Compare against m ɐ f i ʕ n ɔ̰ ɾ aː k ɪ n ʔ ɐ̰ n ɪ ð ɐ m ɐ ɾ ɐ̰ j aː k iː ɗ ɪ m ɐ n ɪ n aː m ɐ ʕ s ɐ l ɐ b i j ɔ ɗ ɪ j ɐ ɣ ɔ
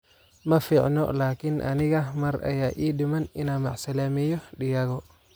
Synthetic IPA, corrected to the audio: m ɐ f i ʕ n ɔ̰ l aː k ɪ n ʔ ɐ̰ n ɪ ɣ ɐ m ɐ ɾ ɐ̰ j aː ʔ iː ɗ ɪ m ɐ n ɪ n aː m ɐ ʕ s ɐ l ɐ m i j ɔ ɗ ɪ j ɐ ɣ ɔ